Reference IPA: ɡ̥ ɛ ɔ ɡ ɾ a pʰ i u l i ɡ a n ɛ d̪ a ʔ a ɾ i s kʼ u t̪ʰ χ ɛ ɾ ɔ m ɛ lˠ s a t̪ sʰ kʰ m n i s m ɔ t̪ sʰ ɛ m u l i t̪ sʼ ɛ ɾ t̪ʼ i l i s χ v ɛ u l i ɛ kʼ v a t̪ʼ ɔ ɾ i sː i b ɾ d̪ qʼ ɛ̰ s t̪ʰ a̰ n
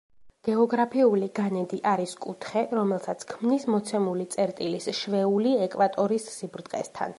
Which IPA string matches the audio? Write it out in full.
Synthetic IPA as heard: ɡ̥ ɛ ɔ ɡ ɾ a pʰ i u l i ɡ a n ɛ d̪ i ʔ a ɾ i s kʼ u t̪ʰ χ ɛ ɾ ɔ m ɛ lˠ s a t̪ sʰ kʰ m n i s m ɔ t̪ sʰ ɛ m u l i t̪ sʼ ɛ ɾ t̪ʼ i l i s ʃ v ɛ u l i ɛ kʼ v a t̪ʼ ɔ ɾ i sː i b ɾ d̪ qʼ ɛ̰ s t̪ʰ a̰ n

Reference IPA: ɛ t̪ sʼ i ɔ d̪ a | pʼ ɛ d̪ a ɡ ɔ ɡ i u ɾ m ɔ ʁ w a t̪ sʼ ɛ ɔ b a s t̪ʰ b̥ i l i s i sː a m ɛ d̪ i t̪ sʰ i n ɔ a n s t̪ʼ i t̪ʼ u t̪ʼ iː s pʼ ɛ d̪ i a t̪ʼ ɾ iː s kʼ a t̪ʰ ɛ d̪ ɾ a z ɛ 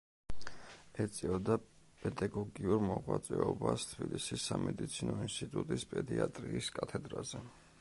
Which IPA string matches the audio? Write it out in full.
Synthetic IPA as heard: ɛ t̪ sʼ i ɔ d̪ a | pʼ ɛ d̪ a ɡ ɔ ɡ i u ɾ m ɔ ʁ w a t̪ sʼ ɛ ɔ b a s t̪ʰ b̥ i l i s i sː a m ɛ d̪ i t̪ sʰ i n ɔ i n s t̪ʼ i t̪ʼ u t̪ʼ i s pʼ ɛ d̪ i a t̪ʼ ɾ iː s kʼ a t̪ʰ ɛ d̪ ɾ a z ɛ

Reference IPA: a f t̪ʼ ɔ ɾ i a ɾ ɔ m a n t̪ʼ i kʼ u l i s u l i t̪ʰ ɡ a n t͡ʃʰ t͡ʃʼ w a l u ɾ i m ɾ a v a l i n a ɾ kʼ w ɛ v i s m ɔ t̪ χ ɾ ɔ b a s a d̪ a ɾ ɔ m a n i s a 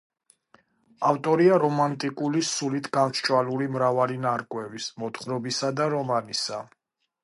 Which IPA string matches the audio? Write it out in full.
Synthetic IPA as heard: a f t̪ʼ ɔ ɾ i a ɾ ɔ m a n t̪ʼ i kʼ u l i s u l i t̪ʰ ɡ a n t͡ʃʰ t͡ʃʼ w a l u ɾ i m ɾ a v a l i n a ɾ kʼ w ɛ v i s m ɔ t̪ χ ɾ ɔ b i s a d̪ a ɾ ɔ m a n i s a

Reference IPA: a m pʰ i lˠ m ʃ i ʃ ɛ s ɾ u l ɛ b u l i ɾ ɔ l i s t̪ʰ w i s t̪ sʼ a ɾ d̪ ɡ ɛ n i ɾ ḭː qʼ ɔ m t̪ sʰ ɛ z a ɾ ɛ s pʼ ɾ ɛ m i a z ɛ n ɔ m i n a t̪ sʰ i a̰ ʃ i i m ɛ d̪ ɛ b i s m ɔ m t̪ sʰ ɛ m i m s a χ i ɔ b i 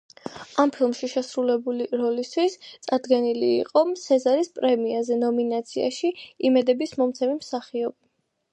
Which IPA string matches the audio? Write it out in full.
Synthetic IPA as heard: a m pʰ i lˠ m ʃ i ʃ ɛ s ɾ u l ɛ b u l i ɾ ɔ l i s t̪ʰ w i s t̪ sʼ a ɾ d̪ ɡ ɛ n i l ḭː qʼ ɔ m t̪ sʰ ɛ z a ɾ i s pʼ ɾ ɛ m i a z ɛ n ɔ m i n a t̪ sʰ i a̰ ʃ i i m ɛ d̪ ɛ b i s m ɔ m t̪ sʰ ɛ m i m s a χ i ɔ b i

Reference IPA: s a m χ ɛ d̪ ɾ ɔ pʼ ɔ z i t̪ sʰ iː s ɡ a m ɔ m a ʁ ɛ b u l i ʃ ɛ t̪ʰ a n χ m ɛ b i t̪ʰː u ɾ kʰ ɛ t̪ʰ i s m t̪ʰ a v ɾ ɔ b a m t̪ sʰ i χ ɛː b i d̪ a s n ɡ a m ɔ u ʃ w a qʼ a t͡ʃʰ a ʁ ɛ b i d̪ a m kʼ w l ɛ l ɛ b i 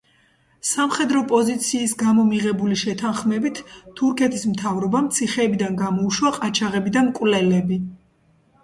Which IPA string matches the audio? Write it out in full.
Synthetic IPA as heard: s a m χ ɛ d̪ ɾ ɔ pʼ ɔ z i t̪ sʰ iː s ɡ a m ɔ m i ʁ ɛ b u l i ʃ ɛ t̪ʰ a n χ m ɛ b i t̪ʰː u ɾ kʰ ɛ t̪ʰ i s m t̪ʰ a v ɾ ɔ b a m t̪ sʰ i χ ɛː b i d̪ a n ɡ a m ɔ u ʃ w a qʼ a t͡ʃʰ a ʁ ɛ b i d̪ a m kʼ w l ɛ l ɛ b i

